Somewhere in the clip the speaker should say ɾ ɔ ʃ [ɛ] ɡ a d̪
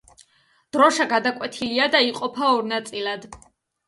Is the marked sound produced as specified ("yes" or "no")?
no